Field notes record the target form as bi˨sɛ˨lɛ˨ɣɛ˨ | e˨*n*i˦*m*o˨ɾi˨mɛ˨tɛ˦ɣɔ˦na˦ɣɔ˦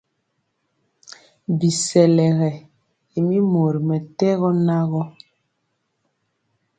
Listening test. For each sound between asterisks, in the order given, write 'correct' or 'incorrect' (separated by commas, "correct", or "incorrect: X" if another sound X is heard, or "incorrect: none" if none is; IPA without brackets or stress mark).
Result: incorrect: m, correct